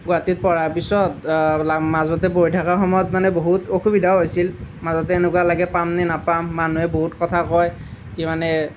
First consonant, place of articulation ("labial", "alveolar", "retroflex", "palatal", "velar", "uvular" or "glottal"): velar